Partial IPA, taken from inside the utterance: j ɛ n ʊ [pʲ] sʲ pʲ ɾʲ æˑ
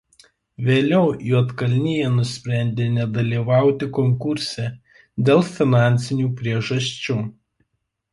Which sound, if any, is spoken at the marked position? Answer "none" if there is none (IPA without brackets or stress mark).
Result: none